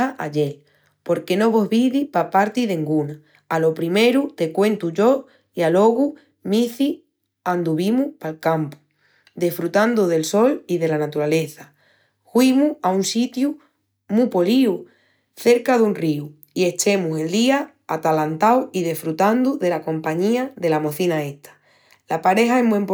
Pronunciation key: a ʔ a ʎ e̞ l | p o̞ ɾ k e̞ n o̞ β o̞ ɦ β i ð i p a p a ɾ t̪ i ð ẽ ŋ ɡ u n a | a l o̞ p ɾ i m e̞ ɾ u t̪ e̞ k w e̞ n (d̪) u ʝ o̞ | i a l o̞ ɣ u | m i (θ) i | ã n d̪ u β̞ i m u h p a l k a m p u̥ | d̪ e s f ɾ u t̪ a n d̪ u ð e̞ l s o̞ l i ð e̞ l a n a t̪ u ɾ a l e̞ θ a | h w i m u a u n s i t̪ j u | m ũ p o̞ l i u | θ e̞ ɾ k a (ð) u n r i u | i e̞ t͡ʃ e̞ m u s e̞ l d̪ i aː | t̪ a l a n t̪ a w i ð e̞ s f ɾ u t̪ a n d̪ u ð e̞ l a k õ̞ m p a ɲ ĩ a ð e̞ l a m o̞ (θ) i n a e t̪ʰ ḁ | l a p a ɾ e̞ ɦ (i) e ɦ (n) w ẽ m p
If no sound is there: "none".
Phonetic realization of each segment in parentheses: t̪, θ, ð, θ, a, m

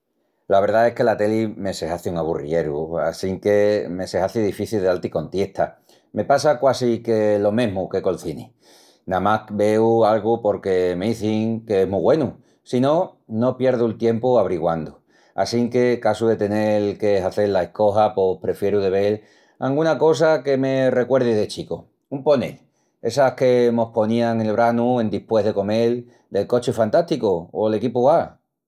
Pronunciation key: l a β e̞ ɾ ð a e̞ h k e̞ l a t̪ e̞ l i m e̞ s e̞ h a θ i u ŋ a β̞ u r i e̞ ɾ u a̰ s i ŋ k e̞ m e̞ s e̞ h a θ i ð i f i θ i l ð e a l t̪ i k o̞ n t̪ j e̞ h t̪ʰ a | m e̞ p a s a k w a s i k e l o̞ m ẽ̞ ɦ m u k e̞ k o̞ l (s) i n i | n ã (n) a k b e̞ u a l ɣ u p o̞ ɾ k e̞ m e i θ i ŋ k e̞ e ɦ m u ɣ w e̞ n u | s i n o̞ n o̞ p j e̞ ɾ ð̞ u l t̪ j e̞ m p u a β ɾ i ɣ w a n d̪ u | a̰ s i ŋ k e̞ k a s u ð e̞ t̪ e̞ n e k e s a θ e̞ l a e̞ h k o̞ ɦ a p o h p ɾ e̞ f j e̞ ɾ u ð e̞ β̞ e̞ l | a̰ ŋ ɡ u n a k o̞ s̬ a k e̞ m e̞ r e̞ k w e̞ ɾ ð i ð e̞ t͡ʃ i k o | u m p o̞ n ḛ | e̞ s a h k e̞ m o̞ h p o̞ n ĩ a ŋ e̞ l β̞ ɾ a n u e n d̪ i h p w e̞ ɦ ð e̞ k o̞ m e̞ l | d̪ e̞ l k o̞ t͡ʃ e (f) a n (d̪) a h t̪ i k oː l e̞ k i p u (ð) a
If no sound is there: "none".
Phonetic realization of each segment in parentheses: θ, m, f, t̪, ɣ

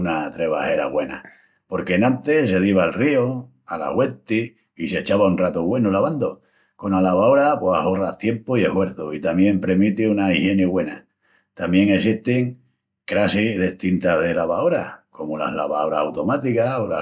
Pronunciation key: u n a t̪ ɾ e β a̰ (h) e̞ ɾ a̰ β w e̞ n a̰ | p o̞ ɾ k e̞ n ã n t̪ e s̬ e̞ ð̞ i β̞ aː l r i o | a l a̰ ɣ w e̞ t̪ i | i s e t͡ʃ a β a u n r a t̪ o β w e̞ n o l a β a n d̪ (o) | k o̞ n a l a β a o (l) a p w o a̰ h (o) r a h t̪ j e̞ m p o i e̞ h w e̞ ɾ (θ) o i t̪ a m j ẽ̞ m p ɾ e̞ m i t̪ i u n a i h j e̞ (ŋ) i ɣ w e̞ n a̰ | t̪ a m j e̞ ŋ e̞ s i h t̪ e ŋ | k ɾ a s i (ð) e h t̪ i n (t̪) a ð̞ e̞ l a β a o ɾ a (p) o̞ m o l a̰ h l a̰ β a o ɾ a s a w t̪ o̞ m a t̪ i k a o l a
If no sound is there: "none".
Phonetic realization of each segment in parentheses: h, o, ɾ, o, θ, n, ð, t̪, k

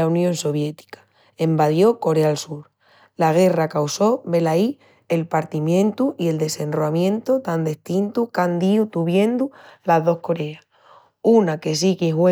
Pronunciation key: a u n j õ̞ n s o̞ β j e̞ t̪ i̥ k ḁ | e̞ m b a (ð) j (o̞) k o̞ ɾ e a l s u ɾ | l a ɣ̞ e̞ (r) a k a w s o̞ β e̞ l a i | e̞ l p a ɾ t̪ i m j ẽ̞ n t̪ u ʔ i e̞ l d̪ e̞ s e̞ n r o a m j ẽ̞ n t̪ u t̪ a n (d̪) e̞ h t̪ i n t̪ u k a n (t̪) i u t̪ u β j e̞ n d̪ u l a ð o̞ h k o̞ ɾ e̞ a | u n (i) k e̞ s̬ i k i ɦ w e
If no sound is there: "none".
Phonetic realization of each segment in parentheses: ð, o̞, r, d̪, d̪, a

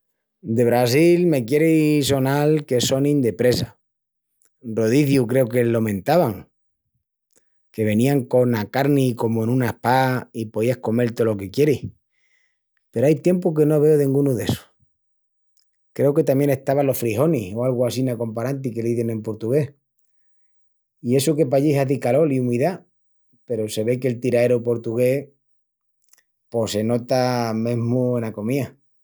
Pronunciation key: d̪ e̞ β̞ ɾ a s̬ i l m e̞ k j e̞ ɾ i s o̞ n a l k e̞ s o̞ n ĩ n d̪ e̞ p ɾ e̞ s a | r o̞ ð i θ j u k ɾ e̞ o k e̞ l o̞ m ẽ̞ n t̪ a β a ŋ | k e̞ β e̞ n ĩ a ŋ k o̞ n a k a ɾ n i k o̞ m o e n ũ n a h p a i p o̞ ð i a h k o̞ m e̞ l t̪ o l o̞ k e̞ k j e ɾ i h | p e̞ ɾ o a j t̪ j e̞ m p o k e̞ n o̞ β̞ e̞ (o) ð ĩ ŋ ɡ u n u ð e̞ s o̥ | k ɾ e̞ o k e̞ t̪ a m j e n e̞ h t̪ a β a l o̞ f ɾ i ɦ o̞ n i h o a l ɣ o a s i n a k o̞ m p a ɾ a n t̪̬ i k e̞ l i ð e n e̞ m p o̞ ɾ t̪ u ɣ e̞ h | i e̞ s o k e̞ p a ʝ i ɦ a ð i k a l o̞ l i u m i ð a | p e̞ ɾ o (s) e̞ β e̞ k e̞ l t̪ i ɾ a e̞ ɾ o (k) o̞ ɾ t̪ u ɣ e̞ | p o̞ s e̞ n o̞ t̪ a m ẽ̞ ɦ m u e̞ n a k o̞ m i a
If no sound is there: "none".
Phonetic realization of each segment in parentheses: o, s, p

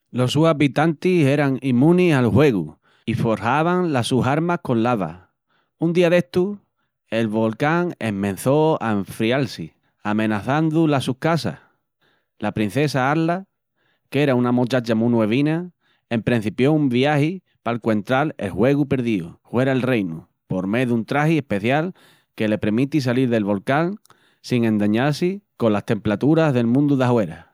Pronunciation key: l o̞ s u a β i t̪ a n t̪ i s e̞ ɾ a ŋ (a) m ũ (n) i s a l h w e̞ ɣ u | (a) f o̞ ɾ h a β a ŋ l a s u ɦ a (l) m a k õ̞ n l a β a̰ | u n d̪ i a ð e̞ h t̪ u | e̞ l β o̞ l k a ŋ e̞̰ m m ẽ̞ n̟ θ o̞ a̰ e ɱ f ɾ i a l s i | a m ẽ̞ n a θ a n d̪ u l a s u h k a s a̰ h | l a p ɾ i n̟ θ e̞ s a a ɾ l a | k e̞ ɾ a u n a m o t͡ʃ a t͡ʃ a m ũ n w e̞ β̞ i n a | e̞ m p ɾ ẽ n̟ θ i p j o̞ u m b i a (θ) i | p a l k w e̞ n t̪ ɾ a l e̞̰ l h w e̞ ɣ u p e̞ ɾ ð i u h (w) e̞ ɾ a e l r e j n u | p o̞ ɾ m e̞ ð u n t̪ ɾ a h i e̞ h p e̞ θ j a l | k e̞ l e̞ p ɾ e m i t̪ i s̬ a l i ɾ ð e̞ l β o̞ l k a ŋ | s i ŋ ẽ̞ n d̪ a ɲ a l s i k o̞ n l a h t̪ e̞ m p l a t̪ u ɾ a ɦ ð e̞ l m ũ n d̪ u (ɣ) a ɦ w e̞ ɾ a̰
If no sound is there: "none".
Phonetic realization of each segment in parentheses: i, n, i, ɾ, h, w, ð

